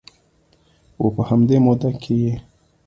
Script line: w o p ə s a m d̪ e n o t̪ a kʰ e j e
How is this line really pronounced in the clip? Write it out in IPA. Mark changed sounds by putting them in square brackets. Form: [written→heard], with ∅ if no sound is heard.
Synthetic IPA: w o p ə [s→h] a m d̪ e [n→m] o [t̪→d̪] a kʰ e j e